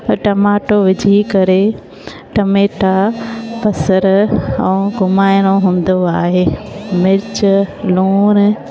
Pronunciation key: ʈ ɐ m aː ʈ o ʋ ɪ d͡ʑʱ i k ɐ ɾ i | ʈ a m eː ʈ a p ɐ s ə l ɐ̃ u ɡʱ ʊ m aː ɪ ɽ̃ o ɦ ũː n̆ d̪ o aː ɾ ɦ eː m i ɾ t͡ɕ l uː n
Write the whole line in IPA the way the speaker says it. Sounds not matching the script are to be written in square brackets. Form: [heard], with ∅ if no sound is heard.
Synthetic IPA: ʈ ɐ m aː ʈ o ʋ ɪ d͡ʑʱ i k ɐ ɾ [e] | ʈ [ɐ] m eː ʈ a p ɐ s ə [ɾ] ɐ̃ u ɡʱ ʊ m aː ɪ ɽ̃ o ɦ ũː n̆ d̪ o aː [∅] ɦ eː m [ɪ] ɾ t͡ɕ l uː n

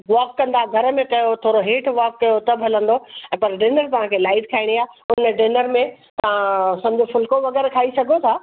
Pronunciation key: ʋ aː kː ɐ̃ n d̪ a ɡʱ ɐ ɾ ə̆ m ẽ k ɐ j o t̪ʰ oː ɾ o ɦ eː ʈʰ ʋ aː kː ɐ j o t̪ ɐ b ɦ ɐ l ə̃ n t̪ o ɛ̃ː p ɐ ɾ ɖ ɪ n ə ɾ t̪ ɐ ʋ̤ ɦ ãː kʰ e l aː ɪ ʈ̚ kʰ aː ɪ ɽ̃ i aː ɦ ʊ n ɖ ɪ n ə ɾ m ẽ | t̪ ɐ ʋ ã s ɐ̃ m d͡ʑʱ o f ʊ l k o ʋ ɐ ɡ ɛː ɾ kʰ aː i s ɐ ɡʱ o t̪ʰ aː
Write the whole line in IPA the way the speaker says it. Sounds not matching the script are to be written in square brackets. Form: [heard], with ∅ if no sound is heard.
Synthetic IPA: ʋ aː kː ɐ̃ n d̪ a ɡʱ ɐ ɾ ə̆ m ẽ k ɐ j o t̪ʰ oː ɾ o ɦ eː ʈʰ ʋ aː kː ɐ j o t̪ ɐ b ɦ ɐ l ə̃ n [d̪] o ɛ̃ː p ɐ ɾ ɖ ɪ n ə ɾ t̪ ɐ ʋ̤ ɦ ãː kʰ e l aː ɪ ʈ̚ kʰ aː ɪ ɽ̃ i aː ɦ ʊ n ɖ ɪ n ə ɾ m ẽ | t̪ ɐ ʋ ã s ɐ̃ m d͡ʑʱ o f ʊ l k o ʋ ɐ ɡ ɛː ɾ kʰ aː i s ɐ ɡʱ o t̪ʰ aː

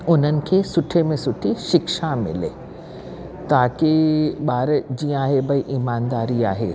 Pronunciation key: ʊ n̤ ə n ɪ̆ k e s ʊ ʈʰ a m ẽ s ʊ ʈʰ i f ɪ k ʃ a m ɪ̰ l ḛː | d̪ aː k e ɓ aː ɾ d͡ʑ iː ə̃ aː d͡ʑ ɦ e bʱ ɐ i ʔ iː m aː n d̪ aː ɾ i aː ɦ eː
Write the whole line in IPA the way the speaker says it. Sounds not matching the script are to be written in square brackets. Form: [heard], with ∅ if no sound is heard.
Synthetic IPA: ʊ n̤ ə n ɪ̆ [kʰ] e s ʊ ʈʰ [e] m ẽ s ʊ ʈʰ i [ʃ] ɪ k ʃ a m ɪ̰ l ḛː | [t̪] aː k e ɓ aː ɾ d͡ʑ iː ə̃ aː [∅] ɦ e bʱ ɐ i ʔ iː m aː n d̪ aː ɾ i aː ɦ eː

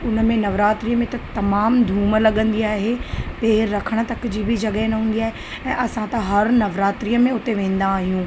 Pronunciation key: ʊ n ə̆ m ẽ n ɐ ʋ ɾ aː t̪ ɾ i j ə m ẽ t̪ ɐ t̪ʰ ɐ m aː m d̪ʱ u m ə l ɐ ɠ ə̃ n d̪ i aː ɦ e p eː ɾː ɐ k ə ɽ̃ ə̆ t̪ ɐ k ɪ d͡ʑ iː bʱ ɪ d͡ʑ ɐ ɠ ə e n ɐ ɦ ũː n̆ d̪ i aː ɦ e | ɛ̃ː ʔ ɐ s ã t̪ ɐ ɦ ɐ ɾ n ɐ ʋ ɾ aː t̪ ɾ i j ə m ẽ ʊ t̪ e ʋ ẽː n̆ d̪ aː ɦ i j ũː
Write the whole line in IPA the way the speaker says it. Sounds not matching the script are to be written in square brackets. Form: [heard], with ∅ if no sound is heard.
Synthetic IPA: ʊ n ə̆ m ẽ n ɐ ʋ ɾ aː t̪ ɾ i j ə m ẽ t̪ ɐ [t̪] ɐ m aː m d̪ʱ [uː] m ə l ɐ ɠ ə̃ n d̪ i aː ɦ e p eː ɾː ɐ [kʰ] ə ɽ̃ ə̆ t̪ ɐ k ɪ d͡ʑ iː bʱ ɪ d͡ʑ ɐ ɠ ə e n ɐ ɦ ũː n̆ d̪ i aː ɦ e | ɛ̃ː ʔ ɐ s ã t̪ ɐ ɦ ɐ ɾ n ɐ ʋ ɾ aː t̪ ɾ i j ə m ẽ ʊ t̪ e ʋ ẽː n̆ d̪ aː ɦ i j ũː

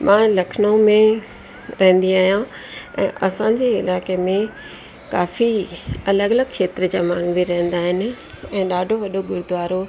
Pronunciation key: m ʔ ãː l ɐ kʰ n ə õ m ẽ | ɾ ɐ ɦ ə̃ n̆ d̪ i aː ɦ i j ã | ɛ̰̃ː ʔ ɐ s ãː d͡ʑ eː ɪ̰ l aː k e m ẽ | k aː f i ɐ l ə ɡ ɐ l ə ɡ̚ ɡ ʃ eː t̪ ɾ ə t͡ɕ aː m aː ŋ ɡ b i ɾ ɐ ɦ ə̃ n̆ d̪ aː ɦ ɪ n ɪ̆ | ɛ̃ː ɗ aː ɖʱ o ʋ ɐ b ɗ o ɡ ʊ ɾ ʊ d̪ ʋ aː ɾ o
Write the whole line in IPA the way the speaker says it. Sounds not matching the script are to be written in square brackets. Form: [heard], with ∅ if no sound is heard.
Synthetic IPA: m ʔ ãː l ɐ kʰ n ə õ m ẽ | ɾ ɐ ɦ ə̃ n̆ d̪ i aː ɦ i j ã | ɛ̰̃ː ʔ ɐ s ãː d͡ʑ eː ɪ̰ l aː k e m ẽ | k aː f i ɐ l ə ɡ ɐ l ə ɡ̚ [k] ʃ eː t̪ ɾ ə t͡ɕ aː m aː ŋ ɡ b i ɾ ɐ ɦ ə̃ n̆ d̪ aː ɦ ɪ n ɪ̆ | ɛ̃ː ɗ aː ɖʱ o ʋ ɐ [∅] ɗ o ɡ ʊ ɾ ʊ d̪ ʋ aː ɾ o

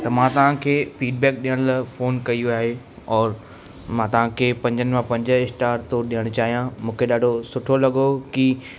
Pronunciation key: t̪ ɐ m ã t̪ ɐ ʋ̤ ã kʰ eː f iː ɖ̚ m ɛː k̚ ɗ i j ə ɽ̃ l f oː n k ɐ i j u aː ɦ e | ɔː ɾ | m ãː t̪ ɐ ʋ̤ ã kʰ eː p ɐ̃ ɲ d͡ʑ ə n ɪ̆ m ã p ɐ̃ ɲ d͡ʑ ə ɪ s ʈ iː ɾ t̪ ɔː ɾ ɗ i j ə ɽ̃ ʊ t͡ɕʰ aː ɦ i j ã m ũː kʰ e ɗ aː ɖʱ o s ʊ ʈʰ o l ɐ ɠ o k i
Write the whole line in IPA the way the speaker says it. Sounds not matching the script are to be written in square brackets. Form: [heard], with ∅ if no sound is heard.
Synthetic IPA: t̪ ɐ m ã t̪ ɐ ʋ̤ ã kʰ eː f iː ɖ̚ [b] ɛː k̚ ɗ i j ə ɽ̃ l f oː n k ɐ i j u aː ɦ e | ɔː ɾ | m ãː t̪ ɐ ʋ̤ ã kʰ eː p ɐ̃ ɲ d͡ʑ ə n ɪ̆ m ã p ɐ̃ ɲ d͡ʑ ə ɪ s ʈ [aː] ɾ t̪ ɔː ɾ ɗ i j ə ɽ̃ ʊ [t͡ɕ] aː ɦ i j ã m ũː kʰ e ɗ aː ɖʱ o s ʊ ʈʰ o l ɐ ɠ o k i

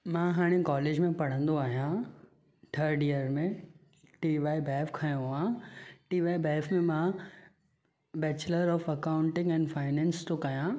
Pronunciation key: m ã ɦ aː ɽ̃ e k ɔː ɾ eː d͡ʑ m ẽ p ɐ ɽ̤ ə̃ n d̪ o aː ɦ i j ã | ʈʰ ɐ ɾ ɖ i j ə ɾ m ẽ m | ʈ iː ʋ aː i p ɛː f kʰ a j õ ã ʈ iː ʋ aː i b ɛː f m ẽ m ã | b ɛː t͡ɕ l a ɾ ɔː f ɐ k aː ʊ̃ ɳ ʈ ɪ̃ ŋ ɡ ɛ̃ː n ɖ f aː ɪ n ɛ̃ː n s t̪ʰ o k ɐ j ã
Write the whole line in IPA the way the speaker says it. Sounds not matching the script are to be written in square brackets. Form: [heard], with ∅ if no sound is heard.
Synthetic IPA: m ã ɦ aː ɽ̃ e k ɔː [l] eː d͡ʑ m ẽ p ɐ ɽ̤ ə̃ n d̪ o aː ɦ i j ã | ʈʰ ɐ ɾ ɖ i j ə ɾ m ẽ [∅] | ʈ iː ʋ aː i [b] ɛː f kʰ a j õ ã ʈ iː ʋ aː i b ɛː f m ẽ m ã | b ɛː t͡ɕ l [ə] ɾ ɔː f ɐ k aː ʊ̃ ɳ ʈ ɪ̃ ŋ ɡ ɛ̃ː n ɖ f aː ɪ n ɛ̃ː n s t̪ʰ o k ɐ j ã

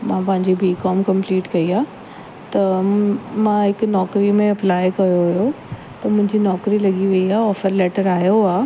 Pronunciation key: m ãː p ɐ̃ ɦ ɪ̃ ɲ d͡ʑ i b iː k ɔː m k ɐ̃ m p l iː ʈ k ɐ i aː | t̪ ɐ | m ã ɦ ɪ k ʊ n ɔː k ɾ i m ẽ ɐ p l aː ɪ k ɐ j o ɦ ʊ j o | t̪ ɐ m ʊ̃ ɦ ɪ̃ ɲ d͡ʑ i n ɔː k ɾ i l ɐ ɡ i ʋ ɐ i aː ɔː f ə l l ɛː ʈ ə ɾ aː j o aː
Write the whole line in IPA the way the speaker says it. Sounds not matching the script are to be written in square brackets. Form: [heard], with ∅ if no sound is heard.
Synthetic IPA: m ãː p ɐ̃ ɦ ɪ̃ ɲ d͡ʑ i b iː k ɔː m k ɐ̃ m p l iː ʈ k ɐ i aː | t̪ ɐ | m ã ɦ ɪ k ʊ n ɔː k ɾ i m ẽ ɐ p l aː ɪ k ɐ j o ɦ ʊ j o | t̪ ɐ m ʊ̃ ɦ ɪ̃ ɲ d͡ʑ i n ɔː k ɾ i l ɐ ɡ i ʋ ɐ i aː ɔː f ə [ɾ] l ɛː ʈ ə ɾ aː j o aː

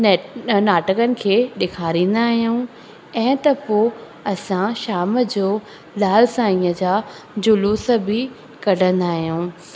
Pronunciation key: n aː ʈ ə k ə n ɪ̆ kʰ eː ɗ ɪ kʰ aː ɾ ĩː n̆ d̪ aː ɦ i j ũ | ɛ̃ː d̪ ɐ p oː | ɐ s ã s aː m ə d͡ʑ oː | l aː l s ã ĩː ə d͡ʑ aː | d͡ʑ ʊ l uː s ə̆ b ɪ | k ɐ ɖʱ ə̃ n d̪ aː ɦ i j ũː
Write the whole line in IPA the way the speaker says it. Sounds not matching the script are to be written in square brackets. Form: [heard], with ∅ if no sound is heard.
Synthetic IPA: n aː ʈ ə k ə n ɪ̆ kʰ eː ɗ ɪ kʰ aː ɾ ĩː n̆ d̪ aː ɦ i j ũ | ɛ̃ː [t̪] ɐ p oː | ɐ s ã [ʃ] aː m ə d͡ʑ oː | l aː l s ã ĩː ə d͡ʑ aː | d͡ʑ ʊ l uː s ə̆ b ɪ | k ɐ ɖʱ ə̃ n d̪ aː ɦ i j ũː

